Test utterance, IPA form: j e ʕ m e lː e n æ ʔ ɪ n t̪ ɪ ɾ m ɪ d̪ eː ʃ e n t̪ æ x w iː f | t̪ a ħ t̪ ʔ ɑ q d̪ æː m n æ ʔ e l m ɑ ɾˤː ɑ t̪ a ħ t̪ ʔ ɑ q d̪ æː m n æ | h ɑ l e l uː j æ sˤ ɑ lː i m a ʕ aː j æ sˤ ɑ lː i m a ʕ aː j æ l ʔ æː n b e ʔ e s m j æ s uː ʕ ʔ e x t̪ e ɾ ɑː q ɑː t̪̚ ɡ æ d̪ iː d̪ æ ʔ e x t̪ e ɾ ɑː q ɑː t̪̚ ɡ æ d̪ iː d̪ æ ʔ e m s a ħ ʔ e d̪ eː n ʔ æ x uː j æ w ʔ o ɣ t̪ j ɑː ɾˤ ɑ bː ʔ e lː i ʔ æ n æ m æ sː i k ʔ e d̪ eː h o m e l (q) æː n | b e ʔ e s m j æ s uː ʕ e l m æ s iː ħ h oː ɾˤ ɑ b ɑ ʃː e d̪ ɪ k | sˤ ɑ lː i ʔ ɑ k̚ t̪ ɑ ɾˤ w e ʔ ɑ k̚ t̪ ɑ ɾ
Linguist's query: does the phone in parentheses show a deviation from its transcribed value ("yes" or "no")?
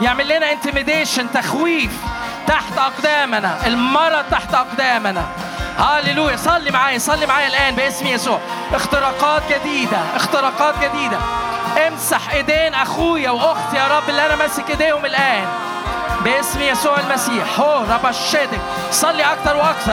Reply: yes